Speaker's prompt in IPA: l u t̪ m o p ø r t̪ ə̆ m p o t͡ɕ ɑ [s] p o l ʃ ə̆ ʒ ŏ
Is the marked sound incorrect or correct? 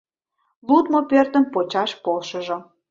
incorrect